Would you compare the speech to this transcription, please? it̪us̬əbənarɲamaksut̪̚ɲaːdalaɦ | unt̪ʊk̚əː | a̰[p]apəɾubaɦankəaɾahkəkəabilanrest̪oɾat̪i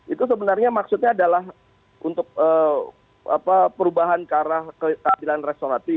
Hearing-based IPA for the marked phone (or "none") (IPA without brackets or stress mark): p